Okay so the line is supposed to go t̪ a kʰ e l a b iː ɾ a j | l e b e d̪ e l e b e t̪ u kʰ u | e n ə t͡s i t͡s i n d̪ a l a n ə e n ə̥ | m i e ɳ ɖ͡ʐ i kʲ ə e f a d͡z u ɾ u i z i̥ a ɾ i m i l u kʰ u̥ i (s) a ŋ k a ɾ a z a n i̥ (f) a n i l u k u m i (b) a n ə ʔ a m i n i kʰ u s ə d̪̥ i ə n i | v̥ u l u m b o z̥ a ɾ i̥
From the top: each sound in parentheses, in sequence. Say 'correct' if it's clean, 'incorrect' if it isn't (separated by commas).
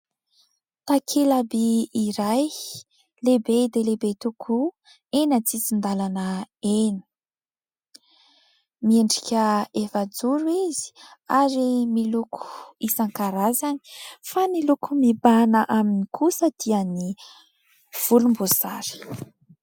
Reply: correct, correct, correct